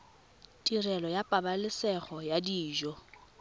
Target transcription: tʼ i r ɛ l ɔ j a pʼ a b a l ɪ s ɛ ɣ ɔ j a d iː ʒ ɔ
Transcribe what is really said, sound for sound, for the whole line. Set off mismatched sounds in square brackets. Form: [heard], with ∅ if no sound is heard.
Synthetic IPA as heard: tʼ i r ɛ l ɔ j a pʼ a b a l ɪ s ɛ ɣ ɔ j a d iː ʒ ɔ